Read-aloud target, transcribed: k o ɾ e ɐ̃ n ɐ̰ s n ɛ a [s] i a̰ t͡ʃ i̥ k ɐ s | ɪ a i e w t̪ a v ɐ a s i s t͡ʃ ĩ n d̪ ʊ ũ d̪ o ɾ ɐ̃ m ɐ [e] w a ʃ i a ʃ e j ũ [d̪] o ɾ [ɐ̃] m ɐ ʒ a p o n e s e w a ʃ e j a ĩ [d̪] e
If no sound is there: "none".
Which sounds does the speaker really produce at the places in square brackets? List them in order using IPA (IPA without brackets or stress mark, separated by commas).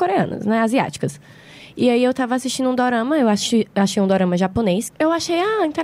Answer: z, e, d̪, ɐ̃, t̪